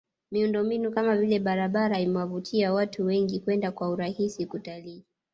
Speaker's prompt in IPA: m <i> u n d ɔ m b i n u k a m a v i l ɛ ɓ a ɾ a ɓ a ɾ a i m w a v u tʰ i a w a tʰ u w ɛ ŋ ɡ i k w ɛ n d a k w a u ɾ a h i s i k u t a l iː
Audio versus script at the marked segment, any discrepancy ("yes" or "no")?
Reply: no